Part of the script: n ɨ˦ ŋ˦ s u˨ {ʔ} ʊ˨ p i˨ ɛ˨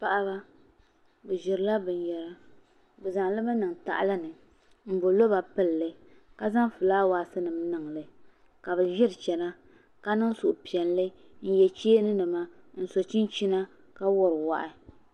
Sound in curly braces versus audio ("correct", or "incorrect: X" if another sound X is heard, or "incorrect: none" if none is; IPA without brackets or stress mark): correct